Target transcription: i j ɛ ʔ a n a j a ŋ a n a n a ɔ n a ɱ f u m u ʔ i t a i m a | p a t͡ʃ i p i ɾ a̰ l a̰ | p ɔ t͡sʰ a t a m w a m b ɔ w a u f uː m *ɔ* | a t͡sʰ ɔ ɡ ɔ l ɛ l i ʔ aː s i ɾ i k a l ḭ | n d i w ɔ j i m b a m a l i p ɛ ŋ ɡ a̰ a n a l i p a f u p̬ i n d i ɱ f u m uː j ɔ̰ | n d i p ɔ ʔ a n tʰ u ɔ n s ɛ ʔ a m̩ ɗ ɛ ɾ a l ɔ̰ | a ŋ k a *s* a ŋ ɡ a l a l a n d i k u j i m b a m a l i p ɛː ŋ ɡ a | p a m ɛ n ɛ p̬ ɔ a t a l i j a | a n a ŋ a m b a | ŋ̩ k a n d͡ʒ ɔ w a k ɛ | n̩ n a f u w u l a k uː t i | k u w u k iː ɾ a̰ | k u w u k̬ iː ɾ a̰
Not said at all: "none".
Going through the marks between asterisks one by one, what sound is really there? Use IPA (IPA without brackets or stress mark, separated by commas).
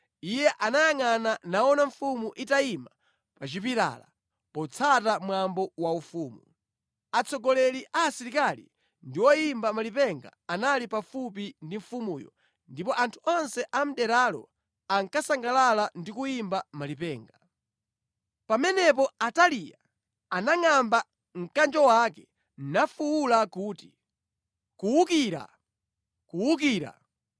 u, s